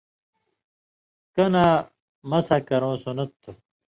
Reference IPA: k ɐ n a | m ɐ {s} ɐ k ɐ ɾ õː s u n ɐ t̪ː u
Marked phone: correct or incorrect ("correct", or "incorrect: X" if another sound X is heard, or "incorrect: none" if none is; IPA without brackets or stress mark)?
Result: correct